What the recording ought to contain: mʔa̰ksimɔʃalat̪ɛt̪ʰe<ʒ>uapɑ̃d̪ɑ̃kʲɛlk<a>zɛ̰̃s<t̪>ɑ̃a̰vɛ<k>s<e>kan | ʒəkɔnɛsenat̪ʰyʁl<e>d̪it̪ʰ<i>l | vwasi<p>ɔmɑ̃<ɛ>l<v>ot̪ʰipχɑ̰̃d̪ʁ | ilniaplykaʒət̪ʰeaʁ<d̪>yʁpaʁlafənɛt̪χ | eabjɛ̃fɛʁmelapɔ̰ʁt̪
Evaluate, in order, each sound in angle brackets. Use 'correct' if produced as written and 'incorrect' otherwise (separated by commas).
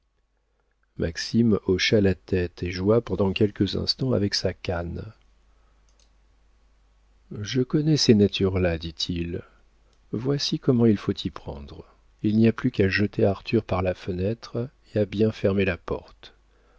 correct, incorrect, correct, correct, incorrect, incorrect, correct, incorrect, incorrect, incorrect, incorrect